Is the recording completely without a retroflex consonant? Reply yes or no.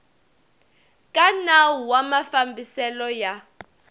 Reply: yes